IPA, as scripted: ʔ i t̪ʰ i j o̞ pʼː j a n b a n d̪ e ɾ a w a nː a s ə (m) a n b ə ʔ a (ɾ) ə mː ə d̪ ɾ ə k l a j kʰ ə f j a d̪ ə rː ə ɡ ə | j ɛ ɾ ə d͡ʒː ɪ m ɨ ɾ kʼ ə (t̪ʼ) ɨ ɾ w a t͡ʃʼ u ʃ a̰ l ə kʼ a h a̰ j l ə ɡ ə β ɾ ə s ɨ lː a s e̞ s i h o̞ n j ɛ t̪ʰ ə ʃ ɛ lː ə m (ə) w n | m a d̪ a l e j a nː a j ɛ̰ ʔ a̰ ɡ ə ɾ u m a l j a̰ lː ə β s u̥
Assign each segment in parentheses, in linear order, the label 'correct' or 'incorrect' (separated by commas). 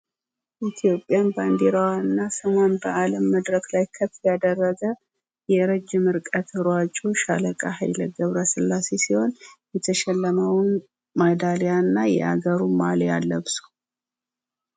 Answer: correct, incorrect, incorrect, correct